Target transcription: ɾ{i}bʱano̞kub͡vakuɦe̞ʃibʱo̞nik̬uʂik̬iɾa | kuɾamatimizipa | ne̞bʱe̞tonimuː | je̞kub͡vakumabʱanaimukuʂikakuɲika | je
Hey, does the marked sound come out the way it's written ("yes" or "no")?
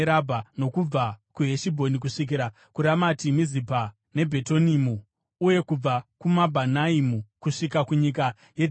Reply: no